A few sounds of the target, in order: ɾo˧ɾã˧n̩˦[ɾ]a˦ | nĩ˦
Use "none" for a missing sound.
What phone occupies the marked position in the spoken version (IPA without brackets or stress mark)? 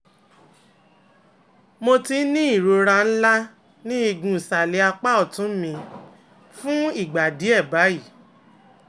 l